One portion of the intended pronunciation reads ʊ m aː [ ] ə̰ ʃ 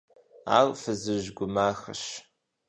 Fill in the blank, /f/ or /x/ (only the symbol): x